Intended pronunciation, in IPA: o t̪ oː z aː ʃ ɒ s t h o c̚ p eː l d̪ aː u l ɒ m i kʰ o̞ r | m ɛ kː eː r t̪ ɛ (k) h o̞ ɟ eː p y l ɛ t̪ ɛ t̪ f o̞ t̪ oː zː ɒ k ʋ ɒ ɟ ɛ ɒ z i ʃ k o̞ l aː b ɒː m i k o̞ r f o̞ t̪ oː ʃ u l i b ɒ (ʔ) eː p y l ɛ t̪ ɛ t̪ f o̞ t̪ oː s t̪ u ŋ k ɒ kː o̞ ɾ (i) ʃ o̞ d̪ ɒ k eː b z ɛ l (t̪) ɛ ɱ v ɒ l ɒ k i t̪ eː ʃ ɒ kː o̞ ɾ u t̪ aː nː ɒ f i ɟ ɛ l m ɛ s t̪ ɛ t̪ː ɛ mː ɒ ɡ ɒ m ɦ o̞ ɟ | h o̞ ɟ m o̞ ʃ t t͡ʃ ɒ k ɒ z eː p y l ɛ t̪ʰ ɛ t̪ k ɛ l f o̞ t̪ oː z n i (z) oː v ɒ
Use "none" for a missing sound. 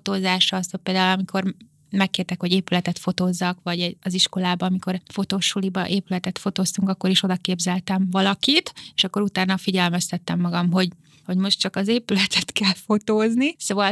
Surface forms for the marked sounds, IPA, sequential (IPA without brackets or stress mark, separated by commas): k, ʔ, i, t̪, s